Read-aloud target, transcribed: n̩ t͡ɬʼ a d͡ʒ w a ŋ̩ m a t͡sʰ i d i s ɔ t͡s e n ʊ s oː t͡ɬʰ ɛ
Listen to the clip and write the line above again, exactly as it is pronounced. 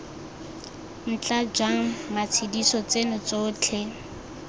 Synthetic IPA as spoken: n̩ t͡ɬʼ a d͡ʒ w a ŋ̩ m a t͡sʰ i d i s ɔ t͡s e n ʊ t͡s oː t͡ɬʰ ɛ